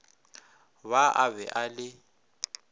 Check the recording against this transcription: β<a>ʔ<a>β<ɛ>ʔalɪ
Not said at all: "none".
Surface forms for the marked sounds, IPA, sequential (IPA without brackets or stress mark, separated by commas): a, a, ɛ